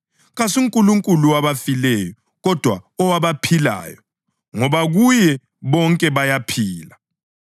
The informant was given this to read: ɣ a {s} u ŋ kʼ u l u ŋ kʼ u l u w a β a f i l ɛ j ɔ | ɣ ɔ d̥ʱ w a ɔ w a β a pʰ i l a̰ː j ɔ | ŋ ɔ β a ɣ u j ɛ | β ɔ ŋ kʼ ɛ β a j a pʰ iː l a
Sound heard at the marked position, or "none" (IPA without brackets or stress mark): s